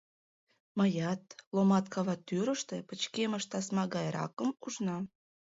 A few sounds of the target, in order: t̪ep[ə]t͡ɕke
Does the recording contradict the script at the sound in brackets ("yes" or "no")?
no